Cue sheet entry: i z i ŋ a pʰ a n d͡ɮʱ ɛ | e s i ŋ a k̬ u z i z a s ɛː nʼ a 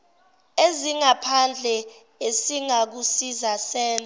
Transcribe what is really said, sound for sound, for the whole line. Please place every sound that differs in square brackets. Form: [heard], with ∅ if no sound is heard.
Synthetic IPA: [e] z i ŋ a pʰ a n d͡ɮʱ ɛ | e s i ŋ a k̬ u [s] i z a s ɛː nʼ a